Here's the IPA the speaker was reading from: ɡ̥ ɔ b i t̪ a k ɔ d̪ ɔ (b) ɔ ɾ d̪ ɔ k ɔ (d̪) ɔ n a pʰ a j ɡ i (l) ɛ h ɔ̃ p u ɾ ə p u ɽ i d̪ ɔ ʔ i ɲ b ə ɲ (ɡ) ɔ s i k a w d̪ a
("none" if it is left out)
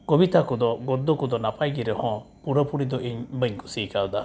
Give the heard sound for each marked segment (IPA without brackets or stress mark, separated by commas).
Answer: ɡ, d̪, ɾ, k